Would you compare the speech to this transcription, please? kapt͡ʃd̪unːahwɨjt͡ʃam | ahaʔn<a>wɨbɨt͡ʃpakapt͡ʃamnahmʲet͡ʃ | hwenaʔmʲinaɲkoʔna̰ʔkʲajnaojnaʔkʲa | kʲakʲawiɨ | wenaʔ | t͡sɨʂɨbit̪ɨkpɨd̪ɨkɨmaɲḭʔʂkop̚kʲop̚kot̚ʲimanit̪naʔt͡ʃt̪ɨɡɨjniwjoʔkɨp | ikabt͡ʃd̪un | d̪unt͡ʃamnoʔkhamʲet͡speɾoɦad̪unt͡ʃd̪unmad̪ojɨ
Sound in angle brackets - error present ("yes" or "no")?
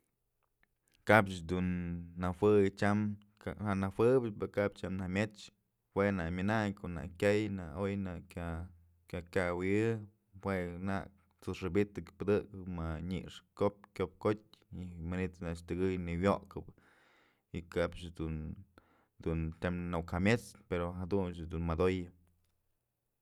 no